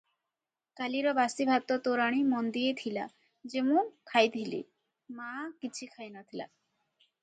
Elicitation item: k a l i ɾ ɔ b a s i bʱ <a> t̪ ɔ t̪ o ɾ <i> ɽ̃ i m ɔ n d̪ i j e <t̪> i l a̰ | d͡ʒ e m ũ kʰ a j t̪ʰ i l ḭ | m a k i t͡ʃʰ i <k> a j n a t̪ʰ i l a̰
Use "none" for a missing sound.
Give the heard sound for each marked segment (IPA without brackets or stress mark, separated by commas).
a, a, t̪ʰ, kʰ